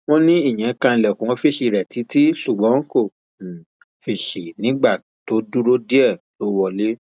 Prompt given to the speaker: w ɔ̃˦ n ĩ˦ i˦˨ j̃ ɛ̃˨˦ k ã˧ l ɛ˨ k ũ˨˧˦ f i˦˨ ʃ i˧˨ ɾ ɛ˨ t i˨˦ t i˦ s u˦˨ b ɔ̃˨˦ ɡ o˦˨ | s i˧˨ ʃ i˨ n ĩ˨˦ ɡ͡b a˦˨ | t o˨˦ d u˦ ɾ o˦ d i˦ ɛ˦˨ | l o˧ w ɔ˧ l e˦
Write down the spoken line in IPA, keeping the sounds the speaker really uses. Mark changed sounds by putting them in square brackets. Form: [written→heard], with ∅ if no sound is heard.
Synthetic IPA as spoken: w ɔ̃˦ n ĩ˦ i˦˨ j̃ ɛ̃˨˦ k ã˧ l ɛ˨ k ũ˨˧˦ f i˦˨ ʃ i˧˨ ɾ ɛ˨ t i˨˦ t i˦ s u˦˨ [b→ɡ͡b] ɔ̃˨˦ [ɡ→k] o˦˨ | [s→f] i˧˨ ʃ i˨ n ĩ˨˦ ɡ͡b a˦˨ | t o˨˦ d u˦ ɾ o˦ d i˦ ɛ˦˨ | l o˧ w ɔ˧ l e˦

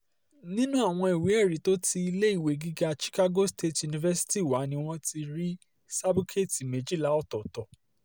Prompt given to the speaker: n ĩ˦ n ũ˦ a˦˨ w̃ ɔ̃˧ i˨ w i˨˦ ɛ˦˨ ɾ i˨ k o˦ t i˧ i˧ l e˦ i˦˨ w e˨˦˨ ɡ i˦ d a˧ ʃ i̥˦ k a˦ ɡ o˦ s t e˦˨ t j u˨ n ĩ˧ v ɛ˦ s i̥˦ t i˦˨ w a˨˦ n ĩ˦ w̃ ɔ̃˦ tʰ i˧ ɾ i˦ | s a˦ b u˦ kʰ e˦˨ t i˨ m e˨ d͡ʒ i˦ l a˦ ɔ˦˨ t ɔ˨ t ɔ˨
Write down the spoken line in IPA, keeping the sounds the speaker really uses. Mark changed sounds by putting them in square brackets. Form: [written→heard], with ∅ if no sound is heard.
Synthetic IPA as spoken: n ĩ˦ n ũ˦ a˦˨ w̃ ɔ̃˧ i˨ w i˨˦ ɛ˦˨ ɾ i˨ [k→t] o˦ t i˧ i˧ l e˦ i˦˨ w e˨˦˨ ɡ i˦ [d→ɡ] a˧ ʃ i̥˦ k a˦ ɡ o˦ s t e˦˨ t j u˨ n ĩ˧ v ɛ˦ s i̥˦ t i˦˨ w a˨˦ n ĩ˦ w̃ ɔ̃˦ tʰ i˧ ɾ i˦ | s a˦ b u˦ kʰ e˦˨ t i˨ m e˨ d͡ʒ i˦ l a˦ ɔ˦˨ t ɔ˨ t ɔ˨

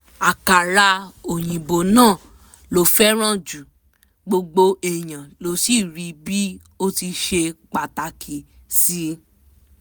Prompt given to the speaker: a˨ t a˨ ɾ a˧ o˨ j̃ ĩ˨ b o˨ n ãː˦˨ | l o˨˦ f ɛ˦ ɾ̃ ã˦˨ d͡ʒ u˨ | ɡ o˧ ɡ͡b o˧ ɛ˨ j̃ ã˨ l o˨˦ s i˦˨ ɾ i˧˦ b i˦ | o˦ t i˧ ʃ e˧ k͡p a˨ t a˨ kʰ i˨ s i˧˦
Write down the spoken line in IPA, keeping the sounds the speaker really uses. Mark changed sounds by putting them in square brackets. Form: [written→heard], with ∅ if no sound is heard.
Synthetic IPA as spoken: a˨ [t→k] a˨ ɾ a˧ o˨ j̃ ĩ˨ b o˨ n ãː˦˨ | l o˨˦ f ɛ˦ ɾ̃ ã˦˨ d͡ʒ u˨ | [ɡ→ɡ͡b] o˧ ɡ͡b o˧ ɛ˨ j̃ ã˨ l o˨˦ s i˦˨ ɾ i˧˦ b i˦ | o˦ t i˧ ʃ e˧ k͡p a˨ t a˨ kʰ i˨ s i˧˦

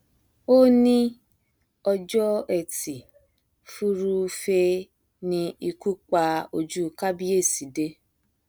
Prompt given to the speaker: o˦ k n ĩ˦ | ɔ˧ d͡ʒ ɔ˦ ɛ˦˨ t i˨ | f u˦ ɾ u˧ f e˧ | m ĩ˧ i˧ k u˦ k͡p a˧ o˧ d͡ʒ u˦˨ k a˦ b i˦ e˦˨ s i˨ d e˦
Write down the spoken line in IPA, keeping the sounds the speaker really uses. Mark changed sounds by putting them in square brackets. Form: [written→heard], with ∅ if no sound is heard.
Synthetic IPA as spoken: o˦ [k→∅] n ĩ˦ | ɔ˧ d͡ʒ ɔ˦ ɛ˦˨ t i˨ | f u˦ ɾ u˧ f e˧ | [m→n] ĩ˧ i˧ k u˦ k͡p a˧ o˧ d͡ʒ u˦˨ k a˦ b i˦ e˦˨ s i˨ d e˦

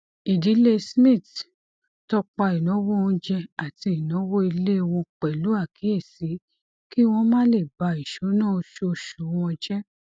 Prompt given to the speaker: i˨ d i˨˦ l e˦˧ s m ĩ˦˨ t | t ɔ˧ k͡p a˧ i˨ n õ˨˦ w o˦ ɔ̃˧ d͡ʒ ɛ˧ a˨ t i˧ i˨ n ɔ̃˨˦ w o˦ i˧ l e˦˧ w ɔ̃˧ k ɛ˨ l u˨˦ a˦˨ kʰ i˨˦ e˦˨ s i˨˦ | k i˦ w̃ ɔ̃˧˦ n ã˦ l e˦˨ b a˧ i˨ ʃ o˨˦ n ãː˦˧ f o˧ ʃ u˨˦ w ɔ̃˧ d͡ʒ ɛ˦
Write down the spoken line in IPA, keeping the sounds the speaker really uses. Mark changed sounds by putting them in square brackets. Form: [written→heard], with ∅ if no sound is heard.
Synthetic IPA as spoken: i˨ d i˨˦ l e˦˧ s m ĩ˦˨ t | t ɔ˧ k͡p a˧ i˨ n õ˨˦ w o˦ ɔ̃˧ d͡ʒ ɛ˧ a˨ t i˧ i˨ n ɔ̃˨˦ w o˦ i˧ l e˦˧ w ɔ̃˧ [k→k͡p] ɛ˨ l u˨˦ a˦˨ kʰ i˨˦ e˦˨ s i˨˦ | k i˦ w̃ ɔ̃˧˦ [n→m] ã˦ l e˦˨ b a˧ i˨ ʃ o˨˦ n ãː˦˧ [f→ʃ] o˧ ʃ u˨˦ w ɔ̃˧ d͡ʒ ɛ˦

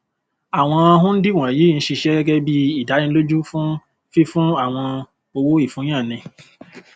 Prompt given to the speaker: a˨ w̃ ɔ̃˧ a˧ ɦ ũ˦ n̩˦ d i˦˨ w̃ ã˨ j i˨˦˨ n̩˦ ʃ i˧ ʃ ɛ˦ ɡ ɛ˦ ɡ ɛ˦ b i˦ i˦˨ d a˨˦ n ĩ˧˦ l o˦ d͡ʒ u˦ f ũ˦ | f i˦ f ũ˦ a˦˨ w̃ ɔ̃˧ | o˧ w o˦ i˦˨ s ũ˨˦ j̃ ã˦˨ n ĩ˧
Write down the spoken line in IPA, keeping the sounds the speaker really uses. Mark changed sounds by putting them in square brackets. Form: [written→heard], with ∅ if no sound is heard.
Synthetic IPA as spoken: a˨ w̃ ɔ̃˧ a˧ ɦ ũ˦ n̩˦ d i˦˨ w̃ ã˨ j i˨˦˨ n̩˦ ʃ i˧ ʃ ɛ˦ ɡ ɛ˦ ɡ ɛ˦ b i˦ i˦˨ d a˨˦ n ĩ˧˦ l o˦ d͡ʒ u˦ f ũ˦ | f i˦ f ũ˦ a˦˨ w̃ ɔ̃˧ | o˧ w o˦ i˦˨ [s→f] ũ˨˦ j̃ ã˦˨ n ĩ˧

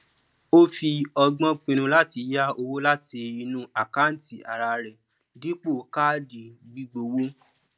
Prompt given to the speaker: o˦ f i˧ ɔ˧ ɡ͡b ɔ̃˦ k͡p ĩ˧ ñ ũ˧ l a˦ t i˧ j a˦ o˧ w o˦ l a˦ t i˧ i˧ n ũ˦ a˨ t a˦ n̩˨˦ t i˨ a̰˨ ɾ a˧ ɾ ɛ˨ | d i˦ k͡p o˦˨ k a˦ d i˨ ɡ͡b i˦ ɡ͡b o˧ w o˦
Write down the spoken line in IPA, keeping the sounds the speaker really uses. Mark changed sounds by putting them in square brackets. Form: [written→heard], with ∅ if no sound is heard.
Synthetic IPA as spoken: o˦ f i˧ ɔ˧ ɡ͡b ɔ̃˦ k͡p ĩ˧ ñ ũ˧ l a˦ t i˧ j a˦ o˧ w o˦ l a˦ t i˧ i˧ n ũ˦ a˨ [t→k] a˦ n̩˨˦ t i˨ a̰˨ ɾ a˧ ɾ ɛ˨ | d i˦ k͡p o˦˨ k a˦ d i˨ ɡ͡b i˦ ɡ͡b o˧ w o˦

